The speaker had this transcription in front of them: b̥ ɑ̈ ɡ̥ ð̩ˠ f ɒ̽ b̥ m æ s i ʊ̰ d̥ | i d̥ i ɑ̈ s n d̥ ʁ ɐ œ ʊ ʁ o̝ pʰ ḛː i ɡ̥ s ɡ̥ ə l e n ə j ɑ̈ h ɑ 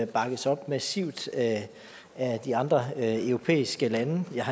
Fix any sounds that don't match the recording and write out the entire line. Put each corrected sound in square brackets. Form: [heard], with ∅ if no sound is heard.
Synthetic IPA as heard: b̥ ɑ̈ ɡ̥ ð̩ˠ [s] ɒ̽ b̥ m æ s i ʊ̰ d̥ | [æ] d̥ i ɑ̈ [∅] n d̥ ʁ ɐ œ ʊ ʁ o̝ pʰ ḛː i [∅] s ɡ̥ ə l [æ] n ə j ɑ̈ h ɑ